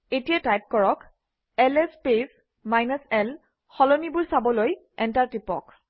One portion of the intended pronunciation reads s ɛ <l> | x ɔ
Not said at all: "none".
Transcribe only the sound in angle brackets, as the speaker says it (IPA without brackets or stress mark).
l